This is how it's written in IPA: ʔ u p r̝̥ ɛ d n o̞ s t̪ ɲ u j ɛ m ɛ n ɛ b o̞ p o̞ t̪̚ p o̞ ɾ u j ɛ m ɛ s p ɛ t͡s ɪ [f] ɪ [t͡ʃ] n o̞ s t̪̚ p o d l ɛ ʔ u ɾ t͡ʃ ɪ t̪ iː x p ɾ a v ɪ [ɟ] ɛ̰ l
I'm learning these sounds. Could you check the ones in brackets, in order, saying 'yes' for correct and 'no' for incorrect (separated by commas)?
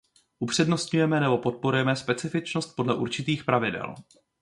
yes, yes, no